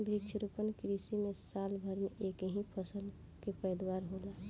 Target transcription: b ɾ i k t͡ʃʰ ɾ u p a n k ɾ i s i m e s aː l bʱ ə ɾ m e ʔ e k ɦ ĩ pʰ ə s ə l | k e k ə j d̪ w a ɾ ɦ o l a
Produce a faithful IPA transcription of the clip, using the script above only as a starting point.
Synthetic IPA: b ɾ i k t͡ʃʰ ɾ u p ə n k ɾ i s i m e s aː l bʱ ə ɾ m e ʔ e k ɦ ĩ pʰ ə s ə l | k e p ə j d̪ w a ɾ ɦ o l a